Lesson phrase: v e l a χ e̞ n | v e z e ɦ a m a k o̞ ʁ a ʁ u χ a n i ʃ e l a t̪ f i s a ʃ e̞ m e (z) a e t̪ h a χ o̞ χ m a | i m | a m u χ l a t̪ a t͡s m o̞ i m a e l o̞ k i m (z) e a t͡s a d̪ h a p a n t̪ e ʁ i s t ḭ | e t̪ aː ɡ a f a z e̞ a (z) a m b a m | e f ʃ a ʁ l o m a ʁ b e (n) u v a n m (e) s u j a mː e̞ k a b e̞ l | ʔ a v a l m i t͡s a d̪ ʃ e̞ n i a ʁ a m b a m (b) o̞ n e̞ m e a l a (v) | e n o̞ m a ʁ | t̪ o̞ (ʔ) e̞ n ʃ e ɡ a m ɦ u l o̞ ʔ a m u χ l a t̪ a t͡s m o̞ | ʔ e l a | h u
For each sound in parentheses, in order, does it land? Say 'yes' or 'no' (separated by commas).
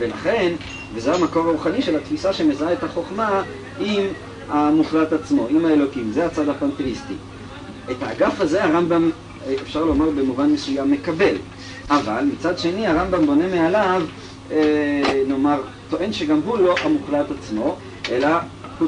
yes, yes, no, no, yes, yes, yes, yes